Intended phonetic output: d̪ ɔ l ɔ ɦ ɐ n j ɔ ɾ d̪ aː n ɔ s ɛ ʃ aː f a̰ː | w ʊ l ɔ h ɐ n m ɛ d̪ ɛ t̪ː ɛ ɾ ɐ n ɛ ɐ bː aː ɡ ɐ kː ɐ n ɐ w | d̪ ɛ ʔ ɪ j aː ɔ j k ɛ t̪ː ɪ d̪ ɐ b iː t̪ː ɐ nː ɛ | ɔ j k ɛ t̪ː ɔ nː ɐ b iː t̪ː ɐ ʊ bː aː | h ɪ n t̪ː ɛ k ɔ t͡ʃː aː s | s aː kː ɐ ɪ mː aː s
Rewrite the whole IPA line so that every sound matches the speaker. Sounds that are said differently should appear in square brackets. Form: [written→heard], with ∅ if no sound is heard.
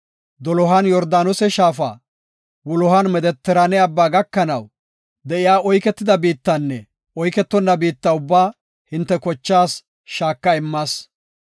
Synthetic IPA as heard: d̪ ɔ l ɔ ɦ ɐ n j ɔ ɾ d̪ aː n ɔ s ɛ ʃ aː f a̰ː | w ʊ l ɔ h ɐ n m ɛ d̪ ɛ t̪ː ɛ ɾ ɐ n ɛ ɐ bː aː ɡ ɐ kː ɐ n ɐ w | d̪ ɛ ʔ ɪ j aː ɔ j k ɛ t̪ː ɪ d̪ ɐ b iː t̪ː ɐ nː ɛ | ɔ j k ɛ t̪ː ɔ nː ɐ b iː t̪ː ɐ ʊ bː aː | h ɪ n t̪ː ɛ k ɔ t͡ʃː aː s | [s→ʃ] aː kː ɐ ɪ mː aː s